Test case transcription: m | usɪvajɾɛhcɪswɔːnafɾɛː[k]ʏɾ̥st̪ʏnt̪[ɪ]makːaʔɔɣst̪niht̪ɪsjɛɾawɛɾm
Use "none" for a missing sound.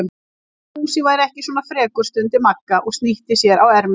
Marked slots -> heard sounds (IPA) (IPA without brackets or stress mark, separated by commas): k, ɪ